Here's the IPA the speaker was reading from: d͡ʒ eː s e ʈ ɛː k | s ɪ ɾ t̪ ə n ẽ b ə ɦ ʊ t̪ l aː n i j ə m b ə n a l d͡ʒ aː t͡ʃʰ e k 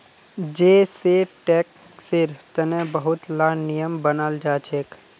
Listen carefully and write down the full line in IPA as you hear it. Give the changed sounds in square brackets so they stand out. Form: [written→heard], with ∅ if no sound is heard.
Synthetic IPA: d͡ʒ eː s e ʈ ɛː k | s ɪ ɾ t̪ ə n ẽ b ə ɦ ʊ t̪ l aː n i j ə m b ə n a l d͡ʒ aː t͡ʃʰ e k